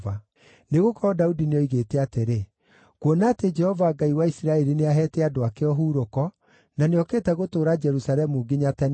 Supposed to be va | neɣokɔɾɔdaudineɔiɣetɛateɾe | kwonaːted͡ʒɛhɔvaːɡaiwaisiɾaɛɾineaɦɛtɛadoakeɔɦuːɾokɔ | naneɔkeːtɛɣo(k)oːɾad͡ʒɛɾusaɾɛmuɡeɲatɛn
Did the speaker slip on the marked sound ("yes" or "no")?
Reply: yes